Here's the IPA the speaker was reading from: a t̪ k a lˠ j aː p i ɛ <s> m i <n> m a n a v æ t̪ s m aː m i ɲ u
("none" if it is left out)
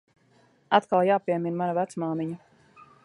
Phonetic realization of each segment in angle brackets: none, n

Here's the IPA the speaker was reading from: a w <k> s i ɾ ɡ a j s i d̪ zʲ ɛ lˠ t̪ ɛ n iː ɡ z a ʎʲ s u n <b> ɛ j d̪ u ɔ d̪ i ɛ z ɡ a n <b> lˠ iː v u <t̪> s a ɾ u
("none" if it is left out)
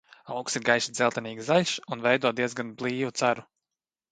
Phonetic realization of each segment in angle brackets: k, v, b, t̪

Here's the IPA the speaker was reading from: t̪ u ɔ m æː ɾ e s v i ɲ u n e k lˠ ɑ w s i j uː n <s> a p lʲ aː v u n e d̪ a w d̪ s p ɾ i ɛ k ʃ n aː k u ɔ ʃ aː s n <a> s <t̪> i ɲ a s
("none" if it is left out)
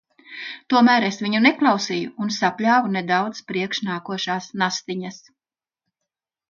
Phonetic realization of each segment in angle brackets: s, a, t̪

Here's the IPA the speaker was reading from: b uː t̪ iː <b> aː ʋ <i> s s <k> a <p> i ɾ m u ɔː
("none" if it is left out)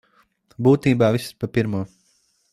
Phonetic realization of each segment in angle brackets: b, i, p, p

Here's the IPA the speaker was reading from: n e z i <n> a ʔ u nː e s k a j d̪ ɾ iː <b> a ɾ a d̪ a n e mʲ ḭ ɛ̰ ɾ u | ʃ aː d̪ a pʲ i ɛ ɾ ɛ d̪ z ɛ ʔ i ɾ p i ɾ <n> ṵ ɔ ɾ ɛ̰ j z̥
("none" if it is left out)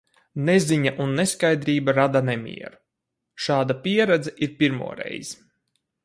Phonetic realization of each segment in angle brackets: ɲ, b, m

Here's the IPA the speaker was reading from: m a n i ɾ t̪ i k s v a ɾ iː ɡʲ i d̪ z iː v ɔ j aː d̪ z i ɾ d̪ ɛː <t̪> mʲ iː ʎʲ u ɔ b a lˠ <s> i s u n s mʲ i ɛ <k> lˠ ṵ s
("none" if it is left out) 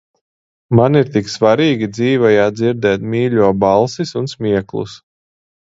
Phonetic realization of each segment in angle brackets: t̪, s, k

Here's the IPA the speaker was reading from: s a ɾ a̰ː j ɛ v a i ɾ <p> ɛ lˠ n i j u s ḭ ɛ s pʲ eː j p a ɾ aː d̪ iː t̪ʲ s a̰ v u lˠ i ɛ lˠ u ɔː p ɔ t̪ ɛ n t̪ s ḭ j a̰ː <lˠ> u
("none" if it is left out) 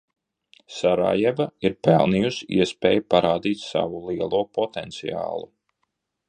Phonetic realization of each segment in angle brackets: p, lˠ

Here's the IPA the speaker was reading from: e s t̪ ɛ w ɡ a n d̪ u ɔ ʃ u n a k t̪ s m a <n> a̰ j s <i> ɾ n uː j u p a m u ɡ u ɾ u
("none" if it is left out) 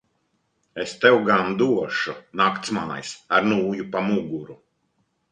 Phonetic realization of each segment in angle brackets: n, a

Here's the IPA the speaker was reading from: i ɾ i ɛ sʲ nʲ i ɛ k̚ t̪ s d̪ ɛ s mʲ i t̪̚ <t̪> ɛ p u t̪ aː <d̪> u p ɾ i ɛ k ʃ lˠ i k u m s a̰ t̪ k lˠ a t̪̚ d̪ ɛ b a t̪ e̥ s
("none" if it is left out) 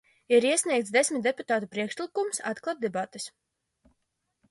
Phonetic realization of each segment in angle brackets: d̪, t̪

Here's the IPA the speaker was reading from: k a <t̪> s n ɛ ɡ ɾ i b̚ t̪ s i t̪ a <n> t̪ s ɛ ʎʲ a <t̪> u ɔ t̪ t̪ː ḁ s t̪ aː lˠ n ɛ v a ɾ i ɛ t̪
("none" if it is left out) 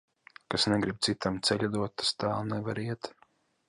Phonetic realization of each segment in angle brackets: none, m, d̪

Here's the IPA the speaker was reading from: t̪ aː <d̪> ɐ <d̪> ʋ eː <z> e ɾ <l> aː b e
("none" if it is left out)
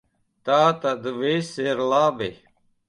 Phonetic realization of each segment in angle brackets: t̪, d̪, s, l

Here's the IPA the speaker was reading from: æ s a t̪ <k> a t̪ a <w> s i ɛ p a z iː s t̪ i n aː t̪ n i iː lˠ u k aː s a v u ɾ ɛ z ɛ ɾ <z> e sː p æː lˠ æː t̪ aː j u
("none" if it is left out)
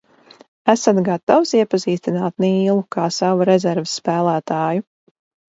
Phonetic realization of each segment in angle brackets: ɡ, w, v

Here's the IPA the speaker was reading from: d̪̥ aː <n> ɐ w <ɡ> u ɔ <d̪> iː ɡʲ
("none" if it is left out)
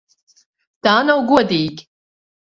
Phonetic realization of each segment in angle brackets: n, ɡ, d̪

